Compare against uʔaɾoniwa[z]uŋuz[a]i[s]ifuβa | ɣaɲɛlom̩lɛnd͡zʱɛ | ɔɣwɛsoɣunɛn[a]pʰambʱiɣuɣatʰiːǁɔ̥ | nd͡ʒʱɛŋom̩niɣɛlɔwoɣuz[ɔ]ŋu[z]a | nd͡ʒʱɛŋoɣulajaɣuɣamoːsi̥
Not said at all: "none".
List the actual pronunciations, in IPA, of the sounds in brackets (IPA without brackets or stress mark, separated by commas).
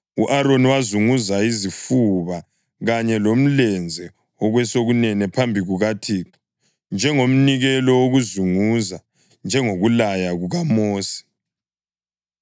z, a, z, ɛ, u, z